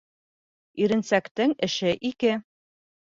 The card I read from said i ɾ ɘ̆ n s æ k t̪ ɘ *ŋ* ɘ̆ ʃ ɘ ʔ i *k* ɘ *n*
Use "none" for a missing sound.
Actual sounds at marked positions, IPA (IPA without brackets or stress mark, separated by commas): ŋ, k, none